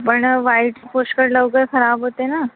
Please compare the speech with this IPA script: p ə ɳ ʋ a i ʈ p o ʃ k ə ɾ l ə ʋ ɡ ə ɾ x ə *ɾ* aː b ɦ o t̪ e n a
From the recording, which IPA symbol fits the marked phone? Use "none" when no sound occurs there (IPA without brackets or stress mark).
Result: ɾ